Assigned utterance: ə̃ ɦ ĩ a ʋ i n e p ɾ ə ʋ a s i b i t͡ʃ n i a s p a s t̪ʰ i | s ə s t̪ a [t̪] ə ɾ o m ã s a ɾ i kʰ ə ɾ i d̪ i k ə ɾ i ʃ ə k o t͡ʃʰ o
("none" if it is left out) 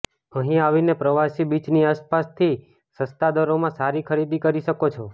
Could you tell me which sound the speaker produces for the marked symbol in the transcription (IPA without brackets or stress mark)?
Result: d̪